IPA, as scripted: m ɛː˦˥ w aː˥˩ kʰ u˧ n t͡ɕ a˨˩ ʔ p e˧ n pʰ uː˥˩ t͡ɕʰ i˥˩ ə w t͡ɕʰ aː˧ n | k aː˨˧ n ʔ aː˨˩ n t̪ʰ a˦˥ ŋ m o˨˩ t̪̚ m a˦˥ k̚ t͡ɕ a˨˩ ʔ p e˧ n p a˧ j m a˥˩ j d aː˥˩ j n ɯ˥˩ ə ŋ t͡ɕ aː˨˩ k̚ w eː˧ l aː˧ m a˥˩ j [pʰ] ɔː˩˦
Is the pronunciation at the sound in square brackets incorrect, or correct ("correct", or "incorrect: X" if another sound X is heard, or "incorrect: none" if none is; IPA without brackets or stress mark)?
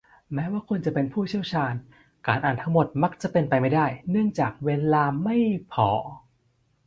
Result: correct